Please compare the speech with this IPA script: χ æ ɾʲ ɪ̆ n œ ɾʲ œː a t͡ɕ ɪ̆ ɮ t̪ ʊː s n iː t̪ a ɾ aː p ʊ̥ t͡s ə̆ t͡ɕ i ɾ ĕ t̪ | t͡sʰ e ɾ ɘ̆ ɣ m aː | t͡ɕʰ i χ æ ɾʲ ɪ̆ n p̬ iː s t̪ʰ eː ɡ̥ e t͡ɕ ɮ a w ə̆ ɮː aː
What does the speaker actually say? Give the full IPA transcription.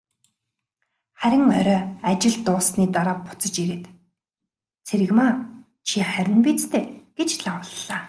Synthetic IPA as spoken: χ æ ɾʲ ɪ̆ ŋ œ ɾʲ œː a t͡ɕ ɪ̆ ɮ t̪ ʊː s n iː t̪ a ɾ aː p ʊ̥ t͡s ə̆ t͡ɕ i ɾ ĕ t̪ | t͡sʰ e ɾ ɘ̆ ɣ m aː | t͡ɕʰ i χ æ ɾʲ ɪ̆ n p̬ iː t͡s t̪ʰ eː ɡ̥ e t͡ɕ ɮ a w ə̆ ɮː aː